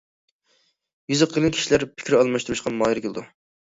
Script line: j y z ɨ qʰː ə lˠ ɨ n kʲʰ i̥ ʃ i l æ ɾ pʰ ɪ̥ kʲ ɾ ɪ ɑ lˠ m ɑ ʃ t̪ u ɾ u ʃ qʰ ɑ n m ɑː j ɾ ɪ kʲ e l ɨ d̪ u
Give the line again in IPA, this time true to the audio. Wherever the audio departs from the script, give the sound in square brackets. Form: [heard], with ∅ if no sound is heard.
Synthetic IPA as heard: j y z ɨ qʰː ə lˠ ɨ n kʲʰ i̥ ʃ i l æ ɾ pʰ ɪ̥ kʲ ɾ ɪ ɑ lˠ m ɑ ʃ t̪ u ɾ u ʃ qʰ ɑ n m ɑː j ɾ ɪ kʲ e l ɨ d̪ u